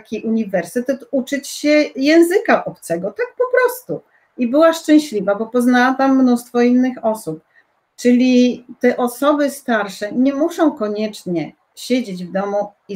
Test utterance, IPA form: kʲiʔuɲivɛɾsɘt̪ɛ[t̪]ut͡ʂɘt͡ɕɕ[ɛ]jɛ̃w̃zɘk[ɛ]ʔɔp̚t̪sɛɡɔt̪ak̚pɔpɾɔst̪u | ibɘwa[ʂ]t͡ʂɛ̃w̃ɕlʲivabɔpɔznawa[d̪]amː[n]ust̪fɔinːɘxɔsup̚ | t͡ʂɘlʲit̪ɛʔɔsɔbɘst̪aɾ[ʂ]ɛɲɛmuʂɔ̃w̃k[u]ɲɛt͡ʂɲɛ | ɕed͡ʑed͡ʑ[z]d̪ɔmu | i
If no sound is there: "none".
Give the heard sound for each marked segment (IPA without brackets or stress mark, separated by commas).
t̪, ɛ, a, ʂ, t̪, n, ʂ, ɔ, v